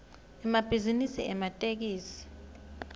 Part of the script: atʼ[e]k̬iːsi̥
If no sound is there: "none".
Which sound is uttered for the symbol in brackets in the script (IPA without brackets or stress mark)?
e